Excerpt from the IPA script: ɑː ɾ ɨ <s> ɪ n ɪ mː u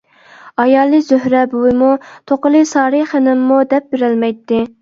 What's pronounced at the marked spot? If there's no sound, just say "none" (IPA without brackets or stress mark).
χ